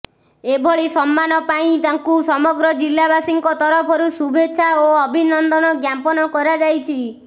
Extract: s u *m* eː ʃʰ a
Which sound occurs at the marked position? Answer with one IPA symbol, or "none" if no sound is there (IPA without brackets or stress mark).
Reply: b